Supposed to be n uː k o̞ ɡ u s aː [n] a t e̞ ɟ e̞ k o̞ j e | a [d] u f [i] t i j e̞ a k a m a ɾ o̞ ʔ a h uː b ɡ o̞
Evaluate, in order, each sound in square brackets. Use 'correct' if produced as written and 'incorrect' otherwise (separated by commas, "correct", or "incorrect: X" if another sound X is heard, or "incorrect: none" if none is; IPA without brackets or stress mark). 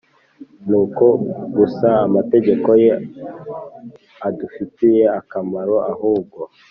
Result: incorrect: m, correct, correct